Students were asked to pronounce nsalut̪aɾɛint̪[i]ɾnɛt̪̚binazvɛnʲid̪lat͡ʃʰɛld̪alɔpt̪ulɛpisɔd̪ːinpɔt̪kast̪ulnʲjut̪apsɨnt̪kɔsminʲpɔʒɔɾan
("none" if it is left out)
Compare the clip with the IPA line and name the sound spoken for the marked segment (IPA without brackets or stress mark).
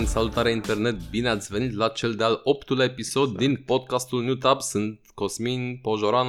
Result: ɛ